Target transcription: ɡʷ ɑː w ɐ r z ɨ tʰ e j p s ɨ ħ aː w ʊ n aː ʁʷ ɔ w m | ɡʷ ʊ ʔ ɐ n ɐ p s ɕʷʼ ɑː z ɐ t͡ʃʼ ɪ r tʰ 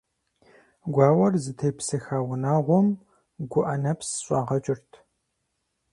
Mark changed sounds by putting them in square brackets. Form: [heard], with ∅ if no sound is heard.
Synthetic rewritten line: ɡʷ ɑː w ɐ r z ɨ tʰ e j p s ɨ [x] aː w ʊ n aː ʁʷ ɔ [∅] m | ɡʷ ʊ ʔ ɐ n ɐ p s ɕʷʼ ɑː [ʁ] ɐ t͡ʃʼ ɪ r tʰ

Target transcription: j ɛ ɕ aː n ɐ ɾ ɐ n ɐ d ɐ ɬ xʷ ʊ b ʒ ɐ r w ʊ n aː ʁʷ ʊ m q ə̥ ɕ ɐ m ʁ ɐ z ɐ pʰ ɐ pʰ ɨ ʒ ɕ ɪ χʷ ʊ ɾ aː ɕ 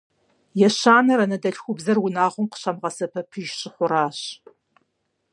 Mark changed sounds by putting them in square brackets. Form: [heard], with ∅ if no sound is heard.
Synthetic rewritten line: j ɛ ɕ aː n ɐ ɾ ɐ n ɐ d ɐ ɬ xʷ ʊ b [z] ɐ r w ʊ n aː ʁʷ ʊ m q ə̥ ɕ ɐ m ʁ ɐ [s] ɐ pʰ ɐ pʰ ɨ ʒ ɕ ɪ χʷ ʊ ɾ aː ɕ

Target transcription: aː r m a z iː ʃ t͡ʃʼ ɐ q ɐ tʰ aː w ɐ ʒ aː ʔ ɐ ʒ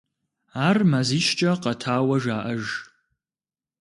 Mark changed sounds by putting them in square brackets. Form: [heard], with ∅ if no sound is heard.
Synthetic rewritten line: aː r m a z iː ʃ t͡ʃʼ ɐ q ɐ tʰ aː w ɐ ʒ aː ʔ ɐ ʒ

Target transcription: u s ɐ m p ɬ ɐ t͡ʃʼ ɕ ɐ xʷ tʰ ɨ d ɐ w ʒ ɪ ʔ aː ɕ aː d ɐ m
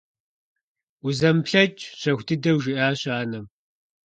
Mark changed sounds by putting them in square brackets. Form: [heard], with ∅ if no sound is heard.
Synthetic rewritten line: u [z] ɐ m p ɬ ɐ t͡ʃʼ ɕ ɐ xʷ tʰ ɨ d ɐ w ʒ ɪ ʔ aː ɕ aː [n] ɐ m

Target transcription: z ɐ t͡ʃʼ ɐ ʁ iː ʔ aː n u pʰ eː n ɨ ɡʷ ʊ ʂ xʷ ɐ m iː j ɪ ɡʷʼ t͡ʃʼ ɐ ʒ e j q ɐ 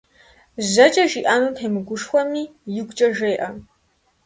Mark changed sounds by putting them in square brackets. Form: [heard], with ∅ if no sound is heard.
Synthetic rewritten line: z ɐ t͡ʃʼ ɐ [ʒ] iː ʔ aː n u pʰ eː [m] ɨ ɡʷ ʊ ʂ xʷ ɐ m iː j ɪ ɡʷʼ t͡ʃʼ ɐ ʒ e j [ʔ] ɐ

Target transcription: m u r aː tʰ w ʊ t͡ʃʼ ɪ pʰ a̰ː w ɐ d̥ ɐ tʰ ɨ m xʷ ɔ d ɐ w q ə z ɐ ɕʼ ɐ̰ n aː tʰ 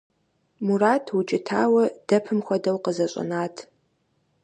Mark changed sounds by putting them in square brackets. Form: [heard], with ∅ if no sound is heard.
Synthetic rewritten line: m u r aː tʰ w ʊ t͡ʃʼ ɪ [tʰ] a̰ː w ɐ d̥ ɐ [pʰ] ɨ m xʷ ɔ d ɐ w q ə z ɐ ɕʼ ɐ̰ n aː tʰ

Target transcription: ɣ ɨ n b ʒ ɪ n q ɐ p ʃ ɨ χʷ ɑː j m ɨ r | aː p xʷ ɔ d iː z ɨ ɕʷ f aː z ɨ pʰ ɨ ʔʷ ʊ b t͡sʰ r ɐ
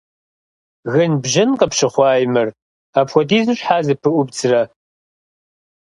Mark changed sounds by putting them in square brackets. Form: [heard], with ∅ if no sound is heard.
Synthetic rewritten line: ɣ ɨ n b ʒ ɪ n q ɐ p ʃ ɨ χʷ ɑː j m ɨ r | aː p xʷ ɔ d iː z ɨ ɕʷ [ħ] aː z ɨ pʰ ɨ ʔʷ ʊ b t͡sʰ r ɐ

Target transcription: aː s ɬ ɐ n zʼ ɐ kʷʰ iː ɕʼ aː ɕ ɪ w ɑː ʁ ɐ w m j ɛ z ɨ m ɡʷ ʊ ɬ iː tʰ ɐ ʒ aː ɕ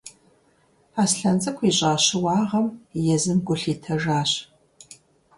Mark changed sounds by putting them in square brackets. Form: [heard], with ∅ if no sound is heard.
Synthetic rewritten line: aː s ɬ ɐ n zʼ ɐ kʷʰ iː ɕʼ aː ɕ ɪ w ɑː ʁ ɐ [∅] m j ɛ z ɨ m ɡʷ ʊ ɬ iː tʰ ɐ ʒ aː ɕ

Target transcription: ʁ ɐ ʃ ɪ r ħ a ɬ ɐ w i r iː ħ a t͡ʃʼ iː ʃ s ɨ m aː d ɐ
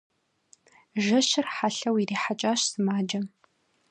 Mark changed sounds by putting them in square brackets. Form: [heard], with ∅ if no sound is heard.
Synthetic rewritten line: [ʒ] ɐ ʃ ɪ r ħ a ɬ ɐ w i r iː ħ a t͡ʃʼ [aː] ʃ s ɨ m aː [d͡ʒ] ɐ

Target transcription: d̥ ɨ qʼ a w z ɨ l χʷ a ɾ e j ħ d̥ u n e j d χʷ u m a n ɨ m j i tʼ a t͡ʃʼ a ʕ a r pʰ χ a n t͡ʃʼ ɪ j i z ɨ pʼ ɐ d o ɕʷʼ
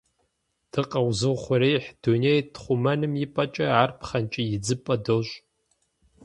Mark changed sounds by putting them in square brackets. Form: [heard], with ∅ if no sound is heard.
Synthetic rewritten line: d̥ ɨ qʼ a w z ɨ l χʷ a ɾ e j ħ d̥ u n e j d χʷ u m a n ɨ m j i [pʼ] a t͡ʃʼ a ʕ a r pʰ χ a n t͡ʃʼ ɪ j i [d͡z] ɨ pʼ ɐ d o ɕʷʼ

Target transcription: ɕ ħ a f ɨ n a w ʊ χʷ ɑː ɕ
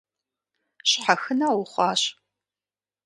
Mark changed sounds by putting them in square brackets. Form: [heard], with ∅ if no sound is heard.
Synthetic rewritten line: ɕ ħ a [x] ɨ n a w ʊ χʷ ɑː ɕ

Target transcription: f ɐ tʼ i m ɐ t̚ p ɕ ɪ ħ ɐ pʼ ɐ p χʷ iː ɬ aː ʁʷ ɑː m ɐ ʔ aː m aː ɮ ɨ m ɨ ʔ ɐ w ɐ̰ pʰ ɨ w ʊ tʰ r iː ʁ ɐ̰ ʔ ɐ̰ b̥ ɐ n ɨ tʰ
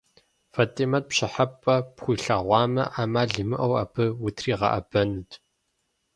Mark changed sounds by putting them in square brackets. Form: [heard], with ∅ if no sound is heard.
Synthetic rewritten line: f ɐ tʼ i m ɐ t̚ p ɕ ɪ ħ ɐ pʼ ɐ p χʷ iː ɬ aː ʁʷ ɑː m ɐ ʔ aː m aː ɮ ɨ m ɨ ʔ ɐ w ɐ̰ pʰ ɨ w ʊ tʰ r iː ʁ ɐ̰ ʔ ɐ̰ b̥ ɐ n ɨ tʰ

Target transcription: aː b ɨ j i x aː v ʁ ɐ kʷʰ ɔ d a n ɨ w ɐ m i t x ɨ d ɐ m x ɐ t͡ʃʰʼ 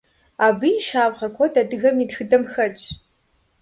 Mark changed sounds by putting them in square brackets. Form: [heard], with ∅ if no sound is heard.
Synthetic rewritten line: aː b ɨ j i [ʃ] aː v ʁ ɐ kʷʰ ɔ d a [d] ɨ [ɣ] ɐ m i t x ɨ d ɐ m x ɐ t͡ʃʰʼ

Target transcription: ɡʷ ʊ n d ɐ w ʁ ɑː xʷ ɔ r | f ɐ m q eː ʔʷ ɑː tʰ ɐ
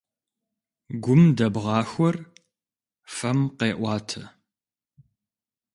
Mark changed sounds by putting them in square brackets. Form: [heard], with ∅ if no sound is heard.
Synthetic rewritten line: ɡʷ ʊ [m] d ɐ [b] ʁ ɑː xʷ ɔ r | f ɐ m q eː ʔʷ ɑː tʰ ɐ

